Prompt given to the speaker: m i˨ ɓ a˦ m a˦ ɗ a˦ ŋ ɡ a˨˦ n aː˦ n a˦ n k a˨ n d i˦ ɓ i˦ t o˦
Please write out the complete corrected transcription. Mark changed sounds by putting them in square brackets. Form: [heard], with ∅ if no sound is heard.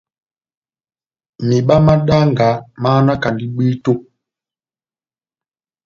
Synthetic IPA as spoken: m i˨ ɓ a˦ m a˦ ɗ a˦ ŋ ɡ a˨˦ [m] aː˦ n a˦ [∅] k a˨ n d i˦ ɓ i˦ t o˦